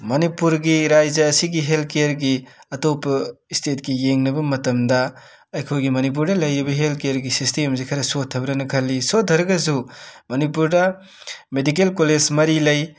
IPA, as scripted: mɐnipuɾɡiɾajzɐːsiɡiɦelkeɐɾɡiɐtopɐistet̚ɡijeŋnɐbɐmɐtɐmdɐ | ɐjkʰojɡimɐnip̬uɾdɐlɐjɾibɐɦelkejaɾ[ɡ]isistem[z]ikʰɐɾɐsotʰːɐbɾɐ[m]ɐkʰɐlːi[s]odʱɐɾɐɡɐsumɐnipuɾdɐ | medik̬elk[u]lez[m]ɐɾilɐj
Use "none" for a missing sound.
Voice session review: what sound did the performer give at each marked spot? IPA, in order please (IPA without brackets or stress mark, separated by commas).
ɡ, z, n, s, o, m